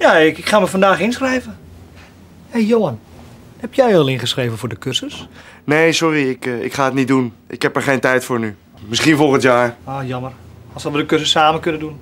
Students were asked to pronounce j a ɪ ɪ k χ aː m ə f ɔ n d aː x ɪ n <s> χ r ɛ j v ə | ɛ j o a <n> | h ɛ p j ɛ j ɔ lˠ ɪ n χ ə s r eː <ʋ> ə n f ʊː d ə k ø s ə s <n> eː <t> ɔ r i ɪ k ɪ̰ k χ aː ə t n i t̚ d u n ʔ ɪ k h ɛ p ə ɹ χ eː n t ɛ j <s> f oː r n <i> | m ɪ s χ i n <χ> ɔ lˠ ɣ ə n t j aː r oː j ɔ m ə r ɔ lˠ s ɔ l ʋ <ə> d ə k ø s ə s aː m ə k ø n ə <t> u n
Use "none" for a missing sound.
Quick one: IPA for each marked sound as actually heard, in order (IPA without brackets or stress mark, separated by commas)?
s, n, v, n, s, t, y, f, ə, d